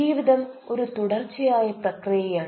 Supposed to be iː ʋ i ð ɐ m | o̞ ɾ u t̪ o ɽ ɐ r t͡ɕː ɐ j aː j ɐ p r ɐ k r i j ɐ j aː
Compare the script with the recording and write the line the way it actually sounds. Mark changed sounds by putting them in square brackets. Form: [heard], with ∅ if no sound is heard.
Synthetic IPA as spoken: iː ʋ i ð ɐ m | o̞ ɾ u t̪ [u] ɽ ɐ r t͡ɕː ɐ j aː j ɐ p r ɐ k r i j ɐ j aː